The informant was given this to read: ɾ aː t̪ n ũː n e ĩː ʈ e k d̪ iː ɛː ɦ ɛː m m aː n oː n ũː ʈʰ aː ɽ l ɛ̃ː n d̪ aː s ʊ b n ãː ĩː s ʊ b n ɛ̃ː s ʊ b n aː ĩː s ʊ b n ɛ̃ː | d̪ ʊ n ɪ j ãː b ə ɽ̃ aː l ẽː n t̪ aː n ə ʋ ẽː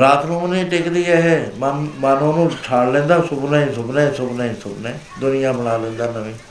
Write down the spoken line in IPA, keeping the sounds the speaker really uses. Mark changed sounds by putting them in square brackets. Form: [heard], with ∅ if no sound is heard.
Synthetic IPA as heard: ɾ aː t̪ n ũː n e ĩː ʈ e k d̪ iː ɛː ɦ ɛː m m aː n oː n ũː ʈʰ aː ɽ l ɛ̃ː n d̪ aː s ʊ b n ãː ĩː s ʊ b n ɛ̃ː s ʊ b n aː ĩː s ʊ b n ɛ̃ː | d̪ ʊ n ɪ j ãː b ə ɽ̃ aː l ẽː n [d̪] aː n ə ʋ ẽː